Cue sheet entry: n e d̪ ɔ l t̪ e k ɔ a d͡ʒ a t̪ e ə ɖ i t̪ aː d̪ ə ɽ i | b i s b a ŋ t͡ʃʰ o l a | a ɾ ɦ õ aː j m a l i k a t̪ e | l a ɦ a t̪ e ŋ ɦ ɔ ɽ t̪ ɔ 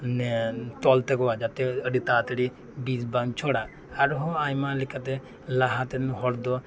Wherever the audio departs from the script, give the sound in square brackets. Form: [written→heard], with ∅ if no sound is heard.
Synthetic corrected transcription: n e [d̪→t̪] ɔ l t̪ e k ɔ a d͡ʒ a t̪ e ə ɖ i t̪ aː [d̪→t̪] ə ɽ i | b i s b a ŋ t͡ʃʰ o [l→ɽ] a | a ɾ ɦ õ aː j m a l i k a t̪ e | l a ɦ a t̪ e [ŋ→n] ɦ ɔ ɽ [t̪→d̪] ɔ